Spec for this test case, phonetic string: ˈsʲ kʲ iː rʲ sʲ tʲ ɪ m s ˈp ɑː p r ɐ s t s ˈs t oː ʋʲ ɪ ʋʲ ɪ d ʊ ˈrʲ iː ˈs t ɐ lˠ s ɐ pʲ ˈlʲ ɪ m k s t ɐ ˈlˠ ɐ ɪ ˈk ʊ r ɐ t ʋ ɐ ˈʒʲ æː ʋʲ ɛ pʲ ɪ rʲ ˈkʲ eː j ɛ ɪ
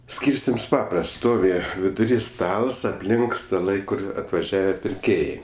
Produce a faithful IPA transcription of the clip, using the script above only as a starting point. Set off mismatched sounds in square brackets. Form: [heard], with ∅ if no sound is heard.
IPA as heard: ˈsʲ kʲ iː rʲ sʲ tʲ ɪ m s ˈp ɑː p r ɐ s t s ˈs t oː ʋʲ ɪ ʋʲ ɪ d ʊ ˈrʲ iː ˈs t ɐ lˠ s ɐ pʲ ˈlʲ ɪ [ŋ] k s t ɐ ˈlˠ ɐ ɪ ˈk ʊ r ɐ t ʋ ɐ ˈʒʲ æː ʋʲ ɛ pʲ ɪ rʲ ˈkʲ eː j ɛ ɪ

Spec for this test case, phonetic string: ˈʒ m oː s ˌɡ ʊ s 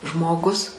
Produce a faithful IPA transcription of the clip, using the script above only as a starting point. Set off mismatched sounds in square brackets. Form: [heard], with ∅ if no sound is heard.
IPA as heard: ˈʒ m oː [∅] ˌɡ ʊ s

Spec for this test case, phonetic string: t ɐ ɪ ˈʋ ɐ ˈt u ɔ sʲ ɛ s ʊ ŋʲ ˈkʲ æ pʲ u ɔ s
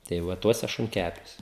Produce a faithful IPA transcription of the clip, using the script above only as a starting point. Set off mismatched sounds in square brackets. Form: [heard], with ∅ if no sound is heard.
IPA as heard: t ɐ ɪ ˈʋ ɐ ˈt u ɔ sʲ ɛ [ʃ] ʊ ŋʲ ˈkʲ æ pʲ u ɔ s

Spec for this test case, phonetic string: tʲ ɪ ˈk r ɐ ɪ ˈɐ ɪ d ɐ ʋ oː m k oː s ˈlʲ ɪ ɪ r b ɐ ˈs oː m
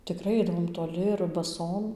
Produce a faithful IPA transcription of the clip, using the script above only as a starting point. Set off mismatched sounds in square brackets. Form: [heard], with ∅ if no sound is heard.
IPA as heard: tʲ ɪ ˈk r ɐ ɪ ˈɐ ɪ d ɐ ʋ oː m [t] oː [∅] ˈlʲ ɪ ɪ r b ɐ ˈs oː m

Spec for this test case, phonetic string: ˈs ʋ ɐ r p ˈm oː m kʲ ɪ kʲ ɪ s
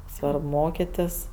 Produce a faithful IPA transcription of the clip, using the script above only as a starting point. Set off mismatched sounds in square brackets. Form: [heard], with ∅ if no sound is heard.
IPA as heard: ˈs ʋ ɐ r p ˈm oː [∅] kʲ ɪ [tʲ] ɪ s

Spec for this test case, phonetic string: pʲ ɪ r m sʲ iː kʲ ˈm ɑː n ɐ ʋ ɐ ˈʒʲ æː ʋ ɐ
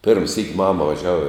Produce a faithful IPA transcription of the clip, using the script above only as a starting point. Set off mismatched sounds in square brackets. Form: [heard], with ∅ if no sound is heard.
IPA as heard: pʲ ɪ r m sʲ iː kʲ ˈm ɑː [m] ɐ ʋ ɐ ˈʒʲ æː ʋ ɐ

